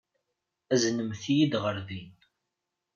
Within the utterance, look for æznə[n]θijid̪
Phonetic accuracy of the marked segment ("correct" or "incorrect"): incorrect